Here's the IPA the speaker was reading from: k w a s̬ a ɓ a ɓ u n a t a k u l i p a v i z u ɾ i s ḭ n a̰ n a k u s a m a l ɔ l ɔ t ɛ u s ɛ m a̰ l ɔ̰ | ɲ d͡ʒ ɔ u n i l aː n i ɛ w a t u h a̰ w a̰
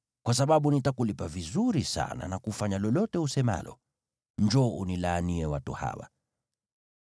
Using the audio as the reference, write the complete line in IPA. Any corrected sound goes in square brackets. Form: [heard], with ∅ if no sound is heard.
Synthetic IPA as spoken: k w a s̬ a ɓ a ɓ u n [i] t a k u l i p a v i z u ɾ i s [a̰] n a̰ n a k u [f] a [ɲ] a l ɔ l ɔ t ɛ u s ɛ m a̰ l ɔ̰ | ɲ d͡ʒ ɔ u n i l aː n i ɛ w a t u h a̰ w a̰